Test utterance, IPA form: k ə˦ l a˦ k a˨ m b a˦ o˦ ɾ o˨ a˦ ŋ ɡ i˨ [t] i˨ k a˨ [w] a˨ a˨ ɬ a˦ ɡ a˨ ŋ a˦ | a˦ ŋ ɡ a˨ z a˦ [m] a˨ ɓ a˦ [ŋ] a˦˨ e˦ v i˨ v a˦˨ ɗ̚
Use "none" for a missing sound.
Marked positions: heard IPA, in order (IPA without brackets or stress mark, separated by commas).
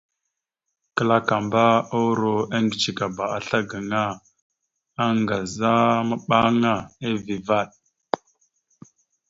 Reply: t͡ʃ, b, m, ŋ